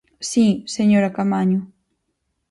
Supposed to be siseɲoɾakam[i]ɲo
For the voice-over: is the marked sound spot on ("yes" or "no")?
no